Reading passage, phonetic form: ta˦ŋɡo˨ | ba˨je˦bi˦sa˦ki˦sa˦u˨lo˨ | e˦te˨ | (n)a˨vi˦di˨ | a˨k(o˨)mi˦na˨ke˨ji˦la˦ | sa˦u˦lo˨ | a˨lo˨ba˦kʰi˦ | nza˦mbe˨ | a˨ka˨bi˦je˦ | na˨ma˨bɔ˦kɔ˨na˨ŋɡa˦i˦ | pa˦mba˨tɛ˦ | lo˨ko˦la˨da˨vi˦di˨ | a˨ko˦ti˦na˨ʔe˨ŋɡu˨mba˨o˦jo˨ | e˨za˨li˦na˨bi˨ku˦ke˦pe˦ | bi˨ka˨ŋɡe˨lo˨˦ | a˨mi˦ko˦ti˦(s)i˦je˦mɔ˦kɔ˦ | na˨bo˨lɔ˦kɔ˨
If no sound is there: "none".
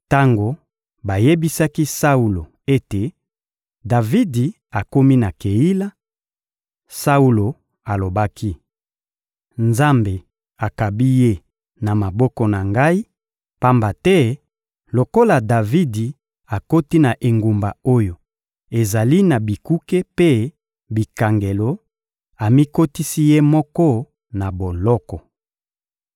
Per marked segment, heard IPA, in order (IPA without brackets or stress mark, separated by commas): d, o˦, s